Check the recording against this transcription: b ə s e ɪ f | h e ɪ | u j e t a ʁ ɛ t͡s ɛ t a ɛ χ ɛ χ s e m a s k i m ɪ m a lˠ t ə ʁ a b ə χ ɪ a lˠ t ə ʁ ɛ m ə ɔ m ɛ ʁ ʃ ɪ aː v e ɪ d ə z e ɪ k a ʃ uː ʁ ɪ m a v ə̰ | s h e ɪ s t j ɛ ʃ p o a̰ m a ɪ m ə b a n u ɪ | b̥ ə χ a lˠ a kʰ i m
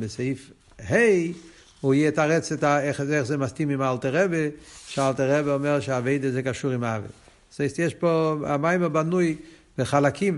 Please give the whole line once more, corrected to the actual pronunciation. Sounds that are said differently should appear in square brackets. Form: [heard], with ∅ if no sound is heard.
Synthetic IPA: b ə s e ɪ f | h e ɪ | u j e t a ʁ ɛ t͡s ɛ t a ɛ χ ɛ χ [z] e m a s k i m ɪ m a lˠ t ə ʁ [ɛ] b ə [ʃ] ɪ a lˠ t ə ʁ ɛ [b] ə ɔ m ɛ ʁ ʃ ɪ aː v e ɪ d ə z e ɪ k a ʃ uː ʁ ɪ m a v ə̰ | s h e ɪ s t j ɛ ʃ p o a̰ m a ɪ m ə b a n u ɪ | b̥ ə χ a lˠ a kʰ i m